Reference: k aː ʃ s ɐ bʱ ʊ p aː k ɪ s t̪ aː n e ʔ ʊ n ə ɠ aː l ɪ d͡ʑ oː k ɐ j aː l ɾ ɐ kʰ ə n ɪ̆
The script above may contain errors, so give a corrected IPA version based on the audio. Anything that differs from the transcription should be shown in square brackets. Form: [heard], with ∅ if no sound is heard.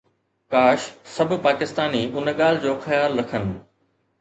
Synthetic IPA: k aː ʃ s ɐ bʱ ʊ p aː k ɪ s t̪ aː n [i] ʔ ʊ n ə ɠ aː l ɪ d͡ʑ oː [x] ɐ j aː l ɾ ɐ kʰ ə n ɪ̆